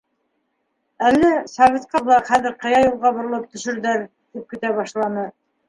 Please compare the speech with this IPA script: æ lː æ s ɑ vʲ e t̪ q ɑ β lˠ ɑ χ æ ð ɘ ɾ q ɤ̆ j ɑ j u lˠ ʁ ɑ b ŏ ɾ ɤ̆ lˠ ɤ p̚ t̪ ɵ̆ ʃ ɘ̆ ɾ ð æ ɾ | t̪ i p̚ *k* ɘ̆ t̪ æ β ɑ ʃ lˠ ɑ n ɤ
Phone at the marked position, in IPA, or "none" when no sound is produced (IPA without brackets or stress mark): k